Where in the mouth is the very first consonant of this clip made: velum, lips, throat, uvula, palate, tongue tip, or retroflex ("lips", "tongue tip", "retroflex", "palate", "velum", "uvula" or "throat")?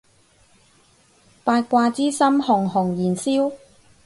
lips